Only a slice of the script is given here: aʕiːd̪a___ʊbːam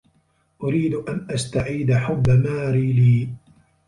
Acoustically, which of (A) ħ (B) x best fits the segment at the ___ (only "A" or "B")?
A